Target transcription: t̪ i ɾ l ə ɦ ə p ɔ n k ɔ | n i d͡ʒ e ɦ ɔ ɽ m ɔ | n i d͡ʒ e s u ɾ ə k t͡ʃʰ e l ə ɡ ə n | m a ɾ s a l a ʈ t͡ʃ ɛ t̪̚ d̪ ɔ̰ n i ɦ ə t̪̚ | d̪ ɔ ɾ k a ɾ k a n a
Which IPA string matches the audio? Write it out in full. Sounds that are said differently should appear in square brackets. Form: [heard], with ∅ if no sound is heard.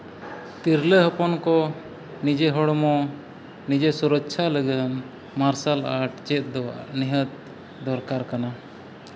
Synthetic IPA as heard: t̪ i ɾ l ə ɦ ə p ɔ n k ɔ | n i d͡ʒ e ɦ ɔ ɽ m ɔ | n i d͡ʒ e s u ɾ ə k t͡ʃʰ [a] l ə ɡ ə n | m a ɾ s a l a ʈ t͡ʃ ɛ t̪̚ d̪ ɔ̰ n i ɦ ə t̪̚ | d̪ ɔ ɾ k a ɾ k a n a